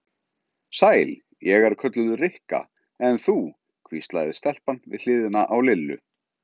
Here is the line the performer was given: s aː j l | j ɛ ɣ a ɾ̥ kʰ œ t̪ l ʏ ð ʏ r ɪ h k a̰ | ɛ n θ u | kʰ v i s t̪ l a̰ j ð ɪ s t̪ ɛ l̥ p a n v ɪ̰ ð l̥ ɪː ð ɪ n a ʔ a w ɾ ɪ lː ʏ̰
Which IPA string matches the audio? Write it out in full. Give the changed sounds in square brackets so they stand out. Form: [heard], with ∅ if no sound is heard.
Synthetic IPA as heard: s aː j l | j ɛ ɣ a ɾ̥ kʰ œ t̪ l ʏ ð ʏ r ɪ h k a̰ | ɛ n θ u | kʰ v i s t̪ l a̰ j ð ɪ s t̪ ɛ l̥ p a n v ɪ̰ ð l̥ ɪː ð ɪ n a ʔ a w [l] ɪ lː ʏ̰